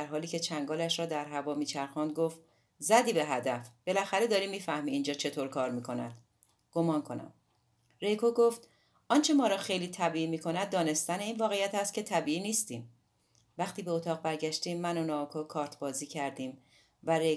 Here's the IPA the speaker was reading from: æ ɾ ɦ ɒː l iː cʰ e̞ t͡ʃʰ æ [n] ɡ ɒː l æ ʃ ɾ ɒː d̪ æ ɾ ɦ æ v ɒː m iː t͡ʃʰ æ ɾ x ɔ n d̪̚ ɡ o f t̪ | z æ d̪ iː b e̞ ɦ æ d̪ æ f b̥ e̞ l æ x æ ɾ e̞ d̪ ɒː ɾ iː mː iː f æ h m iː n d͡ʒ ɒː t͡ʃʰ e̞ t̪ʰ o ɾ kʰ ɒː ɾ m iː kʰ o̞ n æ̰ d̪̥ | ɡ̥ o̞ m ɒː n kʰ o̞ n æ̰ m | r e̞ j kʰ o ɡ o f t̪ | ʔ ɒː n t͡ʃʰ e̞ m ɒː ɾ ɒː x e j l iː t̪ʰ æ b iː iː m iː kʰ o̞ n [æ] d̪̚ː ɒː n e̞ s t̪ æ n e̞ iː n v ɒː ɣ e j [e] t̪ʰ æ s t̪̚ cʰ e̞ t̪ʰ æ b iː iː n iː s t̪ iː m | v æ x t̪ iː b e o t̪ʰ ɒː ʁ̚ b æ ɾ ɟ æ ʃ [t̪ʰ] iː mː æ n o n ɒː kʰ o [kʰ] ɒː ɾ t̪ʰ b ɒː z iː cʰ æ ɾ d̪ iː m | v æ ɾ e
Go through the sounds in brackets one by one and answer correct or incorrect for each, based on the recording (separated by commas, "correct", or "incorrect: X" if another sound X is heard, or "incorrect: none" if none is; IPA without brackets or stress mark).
incorrect: ŋ, correct, incorrect: æ, incorrect: t̪, correct